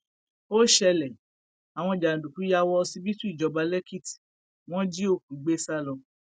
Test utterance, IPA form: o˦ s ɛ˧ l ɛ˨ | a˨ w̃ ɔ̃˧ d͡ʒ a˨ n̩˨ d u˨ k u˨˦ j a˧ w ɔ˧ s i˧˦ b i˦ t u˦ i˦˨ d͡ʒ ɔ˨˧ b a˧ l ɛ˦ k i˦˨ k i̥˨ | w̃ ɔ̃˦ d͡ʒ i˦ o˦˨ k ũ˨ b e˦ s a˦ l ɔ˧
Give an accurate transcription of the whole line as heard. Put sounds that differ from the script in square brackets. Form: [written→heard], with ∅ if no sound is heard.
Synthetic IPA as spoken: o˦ [s→ʃ] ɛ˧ l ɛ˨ | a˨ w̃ ɔ̃˧ d͡ʒ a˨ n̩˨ d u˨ k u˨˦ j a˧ w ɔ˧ s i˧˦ b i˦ t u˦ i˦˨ d͡ʒ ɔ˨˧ b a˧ l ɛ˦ k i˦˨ [k→t] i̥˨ | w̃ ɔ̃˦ d͡ʒ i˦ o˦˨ k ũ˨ [b→ɡ͡b] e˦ s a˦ l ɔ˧

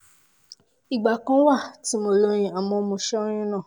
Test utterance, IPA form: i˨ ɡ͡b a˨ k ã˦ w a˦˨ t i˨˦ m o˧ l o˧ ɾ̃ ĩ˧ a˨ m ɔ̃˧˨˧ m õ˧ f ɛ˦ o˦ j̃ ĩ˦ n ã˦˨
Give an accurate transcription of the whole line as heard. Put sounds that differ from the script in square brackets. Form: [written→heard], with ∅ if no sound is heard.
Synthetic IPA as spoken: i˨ ɡ͡b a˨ k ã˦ w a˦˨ t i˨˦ m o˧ l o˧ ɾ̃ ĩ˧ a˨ m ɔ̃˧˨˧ m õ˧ [f→ʃ] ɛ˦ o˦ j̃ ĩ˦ n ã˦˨

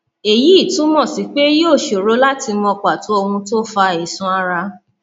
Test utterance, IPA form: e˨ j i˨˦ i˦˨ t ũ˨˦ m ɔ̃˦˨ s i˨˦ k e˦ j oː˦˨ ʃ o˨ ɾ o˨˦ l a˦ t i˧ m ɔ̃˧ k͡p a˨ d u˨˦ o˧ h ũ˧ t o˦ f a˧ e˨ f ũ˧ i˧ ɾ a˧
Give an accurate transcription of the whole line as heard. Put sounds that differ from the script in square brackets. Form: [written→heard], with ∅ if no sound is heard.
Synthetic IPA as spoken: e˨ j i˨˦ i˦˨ t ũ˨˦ m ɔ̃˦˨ s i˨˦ [k→k͡p] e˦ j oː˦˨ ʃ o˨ ɾ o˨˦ l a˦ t i˧ m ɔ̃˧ k͡p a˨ [d→t] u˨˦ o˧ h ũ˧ t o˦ f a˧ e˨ [f→s] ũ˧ [i˧→a˧] ɾ a˧

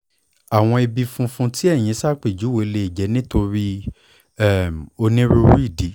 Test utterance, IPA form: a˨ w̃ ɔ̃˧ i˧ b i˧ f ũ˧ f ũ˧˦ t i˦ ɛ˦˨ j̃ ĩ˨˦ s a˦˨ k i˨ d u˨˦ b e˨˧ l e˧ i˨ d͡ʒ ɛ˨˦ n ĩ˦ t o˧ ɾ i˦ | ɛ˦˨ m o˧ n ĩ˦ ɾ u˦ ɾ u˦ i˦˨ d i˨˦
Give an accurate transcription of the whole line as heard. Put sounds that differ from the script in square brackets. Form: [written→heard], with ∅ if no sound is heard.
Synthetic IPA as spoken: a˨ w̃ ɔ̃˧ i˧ b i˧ f ũ˧ f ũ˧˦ t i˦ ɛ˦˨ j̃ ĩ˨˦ s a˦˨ [k→k͡p] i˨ [d→d͡ʒ] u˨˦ [b→w] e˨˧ l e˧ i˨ d͡ʒ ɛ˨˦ n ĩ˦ t o˧ ɾ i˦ | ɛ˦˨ m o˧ n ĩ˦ ɾ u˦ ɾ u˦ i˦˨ d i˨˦

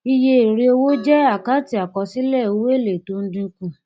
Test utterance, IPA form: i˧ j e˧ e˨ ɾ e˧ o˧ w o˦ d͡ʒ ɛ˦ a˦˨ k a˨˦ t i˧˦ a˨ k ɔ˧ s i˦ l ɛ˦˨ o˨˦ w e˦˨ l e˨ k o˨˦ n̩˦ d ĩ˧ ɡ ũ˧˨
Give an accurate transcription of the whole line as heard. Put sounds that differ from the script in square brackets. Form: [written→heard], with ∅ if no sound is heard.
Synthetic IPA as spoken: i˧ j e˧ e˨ ɾ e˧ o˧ w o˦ d͡ʒ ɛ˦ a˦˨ k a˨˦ t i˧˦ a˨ k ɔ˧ s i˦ l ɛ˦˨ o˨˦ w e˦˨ l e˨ [k→t] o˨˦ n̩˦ d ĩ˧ [ɡ→k] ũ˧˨

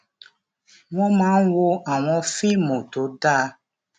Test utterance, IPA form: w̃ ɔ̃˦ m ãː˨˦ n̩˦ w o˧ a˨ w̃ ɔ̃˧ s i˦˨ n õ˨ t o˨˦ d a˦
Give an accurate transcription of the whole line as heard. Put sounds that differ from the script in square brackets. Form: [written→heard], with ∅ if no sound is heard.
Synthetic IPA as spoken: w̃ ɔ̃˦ m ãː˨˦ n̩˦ w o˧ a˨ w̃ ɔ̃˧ [s→f] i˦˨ [n→m] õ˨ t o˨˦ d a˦

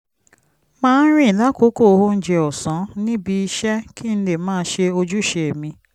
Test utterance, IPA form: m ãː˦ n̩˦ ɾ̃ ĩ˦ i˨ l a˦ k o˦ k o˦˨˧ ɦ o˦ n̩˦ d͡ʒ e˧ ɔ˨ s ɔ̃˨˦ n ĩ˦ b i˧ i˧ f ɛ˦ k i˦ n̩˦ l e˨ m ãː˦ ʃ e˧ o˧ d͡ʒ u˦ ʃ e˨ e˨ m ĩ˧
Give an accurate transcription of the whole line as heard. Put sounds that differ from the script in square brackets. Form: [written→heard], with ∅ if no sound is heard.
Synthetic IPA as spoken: m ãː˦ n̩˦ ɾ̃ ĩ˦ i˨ l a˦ k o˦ k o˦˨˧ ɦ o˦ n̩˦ d͡ʒ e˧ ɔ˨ s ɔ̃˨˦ n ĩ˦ b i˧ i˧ [f→ʃ] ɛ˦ k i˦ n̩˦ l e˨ m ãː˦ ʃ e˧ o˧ d͡ʒ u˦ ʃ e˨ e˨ m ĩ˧

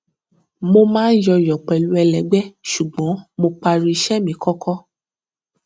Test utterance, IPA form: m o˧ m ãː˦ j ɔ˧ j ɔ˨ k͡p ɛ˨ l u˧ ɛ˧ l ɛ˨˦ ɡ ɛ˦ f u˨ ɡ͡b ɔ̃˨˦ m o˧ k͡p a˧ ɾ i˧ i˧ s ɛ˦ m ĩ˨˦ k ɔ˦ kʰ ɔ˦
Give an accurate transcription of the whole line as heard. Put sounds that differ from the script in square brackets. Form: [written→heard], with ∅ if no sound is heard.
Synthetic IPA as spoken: m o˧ m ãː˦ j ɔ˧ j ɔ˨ k͡p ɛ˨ l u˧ ɛ˧ l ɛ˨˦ [ɡ→ɡ͡b] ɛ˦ [f→ʃ] u˨ ɡ͡b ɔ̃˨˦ m o˧ k͡p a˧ ɾ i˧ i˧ [s→ʃ] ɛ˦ m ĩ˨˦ k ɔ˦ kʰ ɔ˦

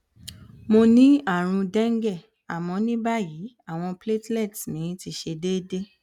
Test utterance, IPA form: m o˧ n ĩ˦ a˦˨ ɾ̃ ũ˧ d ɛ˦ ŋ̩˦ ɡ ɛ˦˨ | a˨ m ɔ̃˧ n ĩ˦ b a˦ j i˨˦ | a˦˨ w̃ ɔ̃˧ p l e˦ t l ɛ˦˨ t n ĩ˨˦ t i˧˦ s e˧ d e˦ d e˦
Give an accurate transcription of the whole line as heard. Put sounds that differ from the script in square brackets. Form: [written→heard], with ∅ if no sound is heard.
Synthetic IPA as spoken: m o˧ n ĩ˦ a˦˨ ɾ̃ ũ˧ d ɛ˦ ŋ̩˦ ɡ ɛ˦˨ | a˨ m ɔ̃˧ n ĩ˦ b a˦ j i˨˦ | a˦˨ w̃ ɔ̃˧ p l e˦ t l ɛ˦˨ t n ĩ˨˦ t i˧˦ [s→ʃ] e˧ d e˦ d e˦

